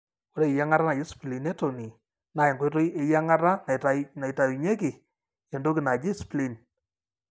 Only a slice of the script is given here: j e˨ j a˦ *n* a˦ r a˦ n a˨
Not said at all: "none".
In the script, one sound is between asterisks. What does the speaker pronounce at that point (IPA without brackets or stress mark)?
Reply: ŋ